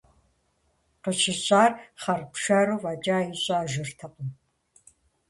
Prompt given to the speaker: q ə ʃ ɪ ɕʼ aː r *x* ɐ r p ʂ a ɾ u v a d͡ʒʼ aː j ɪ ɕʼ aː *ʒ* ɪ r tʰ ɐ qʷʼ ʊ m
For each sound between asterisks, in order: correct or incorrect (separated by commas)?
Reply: incorrect, correct